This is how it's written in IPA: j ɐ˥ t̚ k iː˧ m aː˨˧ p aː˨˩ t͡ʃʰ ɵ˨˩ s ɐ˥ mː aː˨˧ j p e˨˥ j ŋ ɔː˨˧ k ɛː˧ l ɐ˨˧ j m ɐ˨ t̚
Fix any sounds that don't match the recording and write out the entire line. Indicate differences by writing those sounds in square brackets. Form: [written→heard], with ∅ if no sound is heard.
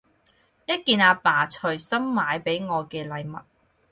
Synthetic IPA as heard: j ɐ˥ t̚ k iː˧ [m→n] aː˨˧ p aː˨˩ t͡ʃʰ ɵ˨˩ s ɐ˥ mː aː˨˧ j p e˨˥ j ŋ ɔː˨˧ k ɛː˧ l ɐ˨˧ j m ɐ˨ t̚